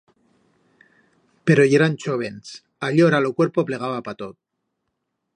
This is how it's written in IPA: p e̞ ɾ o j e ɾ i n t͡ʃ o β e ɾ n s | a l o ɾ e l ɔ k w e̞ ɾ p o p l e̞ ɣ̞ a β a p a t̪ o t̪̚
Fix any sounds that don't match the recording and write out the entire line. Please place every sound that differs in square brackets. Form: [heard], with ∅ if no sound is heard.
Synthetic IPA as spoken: p e̞ ɾ o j e ɾ [a] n t͡ʃ o β e [∅] n s | a [ʎ] o ɾ [a] l [o] k w e̞ ɾ p o p l e̞ ɣ̞ a β a p a t̪ o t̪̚